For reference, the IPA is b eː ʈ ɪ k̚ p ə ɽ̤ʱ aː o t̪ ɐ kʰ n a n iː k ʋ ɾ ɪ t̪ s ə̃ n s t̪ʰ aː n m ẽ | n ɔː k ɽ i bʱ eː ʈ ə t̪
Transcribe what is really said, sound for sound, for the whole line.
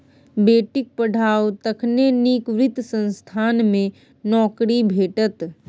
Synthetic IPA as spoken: b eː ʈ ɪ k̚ p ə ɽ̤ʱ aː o t̪ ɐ kʰ n e n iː k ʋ ɾ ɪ t̪ s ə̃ n s t̪ʰ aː n m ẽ | n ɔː k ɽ i bʱ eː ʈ ə t̪